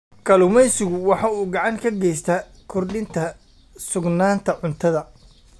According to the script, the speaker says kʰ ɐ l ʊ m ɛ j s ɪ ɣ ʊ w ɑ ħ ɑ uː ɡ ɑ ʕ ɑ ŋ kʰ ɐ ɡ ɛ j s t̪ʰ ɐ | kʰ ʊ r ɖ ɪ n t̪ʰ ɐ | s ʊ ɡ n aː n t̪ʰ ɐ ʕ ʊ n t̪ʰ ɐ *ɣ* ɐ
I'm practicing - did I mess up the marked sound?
yes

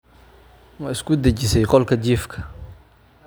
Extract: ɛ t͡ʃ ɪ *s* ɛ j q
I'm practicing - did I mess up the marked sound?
no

